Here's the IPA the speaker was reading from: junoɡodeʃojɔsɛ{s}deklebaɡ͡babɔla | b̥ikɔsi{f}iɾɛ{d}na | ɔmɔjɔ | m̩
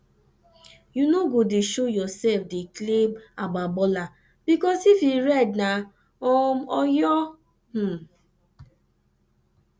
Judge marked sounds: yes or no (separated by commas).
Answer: no, yes, yes